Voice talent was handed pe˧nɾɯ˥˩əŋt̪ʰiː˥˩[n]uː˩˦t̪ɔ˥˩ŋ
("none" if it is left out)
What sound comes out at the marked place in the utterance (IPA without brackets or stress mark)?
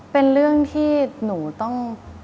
n